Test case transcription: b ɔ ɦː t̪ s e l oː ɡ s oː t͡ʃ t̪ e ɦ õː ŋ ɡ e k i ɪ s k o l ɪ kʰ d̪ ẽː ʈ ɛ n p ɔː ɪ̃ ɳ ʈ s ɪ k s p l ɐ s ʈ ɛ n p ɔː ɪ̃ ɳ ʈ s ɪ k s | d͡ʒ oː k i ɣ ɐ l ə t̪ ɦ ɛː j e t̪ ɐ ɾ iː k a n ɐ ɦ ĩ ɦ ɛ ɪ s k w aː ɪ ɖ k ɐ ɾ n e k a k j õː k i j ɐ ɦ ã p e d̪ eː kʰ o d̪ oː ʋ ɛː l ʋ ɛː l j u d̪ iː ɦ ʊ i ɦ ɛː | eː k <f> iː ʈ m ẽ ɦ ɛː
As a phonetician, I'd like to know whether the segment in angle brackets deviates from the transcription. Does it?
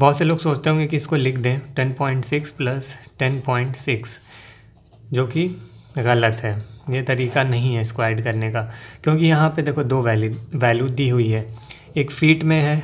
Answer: no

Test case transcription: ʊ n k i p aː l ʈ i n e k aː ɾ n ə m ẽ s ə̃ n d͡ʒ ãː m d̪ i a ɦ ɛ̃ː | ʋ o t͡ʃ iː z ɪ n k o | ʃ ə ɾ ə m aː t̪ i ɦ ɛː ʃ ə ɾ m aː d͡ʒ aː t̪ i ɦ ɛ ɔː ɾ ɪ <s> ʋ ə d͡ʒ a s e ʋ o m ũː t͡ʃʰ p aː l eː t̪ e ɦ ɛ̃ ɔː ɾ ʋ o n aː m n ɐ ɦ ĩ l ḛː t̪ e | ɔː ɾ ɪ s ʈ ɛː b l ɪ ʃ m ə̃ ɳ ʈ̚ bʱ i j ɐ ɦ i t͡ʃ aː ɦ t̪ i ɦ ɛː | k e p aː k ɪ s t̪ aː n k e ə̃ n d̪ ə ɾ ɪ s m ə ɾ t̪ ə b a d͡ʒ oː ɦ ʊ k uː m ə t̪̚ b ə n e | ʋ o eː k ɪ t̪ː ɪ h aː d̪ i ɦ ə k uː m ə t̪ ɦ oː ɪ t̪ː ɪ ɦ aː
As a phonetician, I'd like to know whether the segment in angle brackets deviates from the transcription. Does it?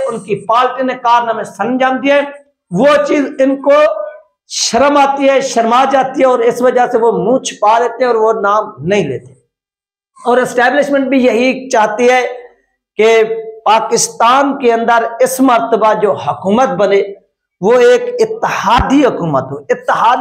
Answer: no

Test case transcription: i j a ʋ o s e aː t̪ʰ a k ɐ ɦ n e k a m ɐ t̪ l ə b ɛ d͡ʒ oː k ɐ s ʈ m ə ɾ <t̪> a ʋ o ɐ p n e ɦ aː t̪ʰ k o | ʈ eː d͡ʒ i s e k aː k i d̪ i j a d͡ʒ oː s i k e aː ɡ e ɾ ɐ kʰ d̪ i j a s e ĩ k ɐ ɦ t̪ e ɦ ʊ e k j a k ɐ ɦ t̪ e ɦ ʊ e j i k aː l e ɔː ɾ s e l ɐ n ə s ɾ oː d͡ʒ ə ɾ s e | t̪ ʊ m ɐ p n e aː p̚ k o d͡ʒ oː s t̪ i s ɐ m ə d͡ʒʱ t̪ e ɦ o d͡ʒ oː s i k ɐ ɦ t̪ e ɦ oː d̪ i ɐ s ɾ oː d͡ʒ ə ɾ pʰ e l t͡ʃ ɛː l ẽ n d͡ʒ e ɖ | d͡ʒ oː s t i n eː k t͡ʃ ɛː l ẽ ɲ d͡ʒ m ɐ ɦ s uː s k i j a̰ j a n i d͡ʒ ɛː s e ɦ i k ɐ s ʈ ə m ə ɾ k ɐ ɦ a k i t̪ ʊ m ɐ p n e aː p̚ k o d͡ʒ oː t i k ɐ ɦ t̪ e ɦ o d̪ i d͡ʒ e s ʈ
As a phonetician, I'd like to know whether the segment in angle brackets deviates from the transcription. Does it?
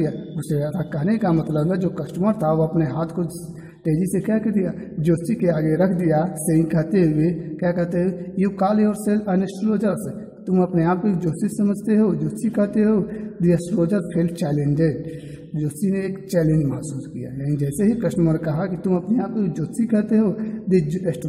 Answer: yes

